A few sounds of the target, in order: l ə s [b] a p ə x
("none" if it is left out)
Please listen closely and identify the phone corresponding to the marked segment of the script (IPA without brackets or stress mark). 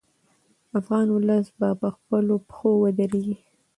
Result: b